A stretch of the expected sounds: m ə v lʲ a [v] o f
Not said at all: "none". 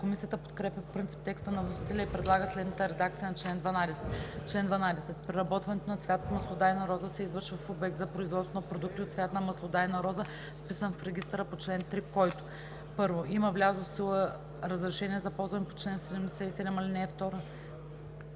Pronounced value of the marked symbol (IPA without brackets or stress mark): z